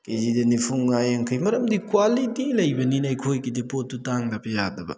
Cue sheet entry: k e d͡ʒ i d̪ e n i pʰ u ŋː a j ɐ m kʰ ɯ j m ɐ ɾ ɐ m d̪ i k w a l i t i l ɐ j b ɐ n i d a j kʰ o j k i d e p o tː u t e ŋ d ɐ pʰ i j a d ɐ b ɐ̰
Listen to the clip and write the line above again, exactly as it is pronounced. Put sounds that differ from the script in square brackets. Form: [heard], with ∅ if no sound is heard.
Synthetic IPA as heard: k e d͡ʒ i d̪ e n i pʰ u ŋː a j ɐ [ŋ] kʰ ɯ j m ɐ ɾ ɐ m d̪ i k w a l i t i l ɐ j b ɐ n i [n] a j kʰ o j k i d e p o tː u t [a] ŋ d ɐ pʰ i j a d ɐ b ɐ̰